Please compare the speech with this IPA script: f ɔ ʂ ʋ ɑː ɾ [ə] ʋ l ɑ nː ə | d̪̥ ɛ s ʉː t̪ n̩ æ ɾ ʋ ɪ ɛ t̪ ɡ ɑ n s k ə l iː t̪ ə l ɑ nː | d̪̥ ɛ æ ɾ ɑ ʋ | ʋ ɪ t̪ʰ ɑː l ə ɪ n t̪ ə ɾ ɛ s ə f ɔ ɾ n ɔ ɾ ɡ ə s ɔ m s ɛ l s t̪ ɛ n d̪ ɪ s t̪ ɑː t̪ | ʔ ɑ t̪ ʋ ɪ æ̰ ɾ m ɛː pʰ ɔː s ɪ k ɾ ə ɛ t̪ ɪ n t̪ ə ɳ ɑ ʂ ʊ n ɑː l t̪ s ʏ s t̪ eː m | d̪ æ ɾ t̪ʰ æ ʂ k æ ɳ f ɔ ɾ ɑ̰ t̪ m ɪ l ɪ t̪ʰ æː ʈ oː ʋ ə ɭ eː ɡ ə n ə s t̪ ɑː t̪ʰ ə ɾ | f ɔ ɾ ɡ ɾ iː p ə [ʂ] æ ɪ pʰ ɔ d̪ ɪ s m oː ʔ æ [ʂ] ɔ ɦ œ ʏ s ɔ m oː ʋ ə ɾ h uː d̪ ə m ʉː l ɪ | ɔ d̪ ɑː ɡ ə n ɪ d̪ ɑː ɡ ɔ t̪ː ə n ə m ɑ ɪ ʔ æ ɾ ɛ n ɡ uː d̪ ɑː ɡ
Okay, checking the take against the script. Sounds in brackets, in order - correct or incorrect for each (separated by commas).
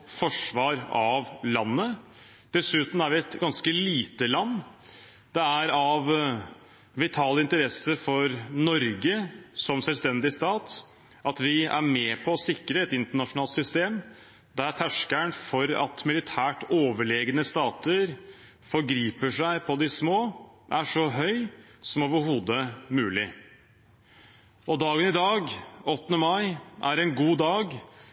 incorrect, correct, correct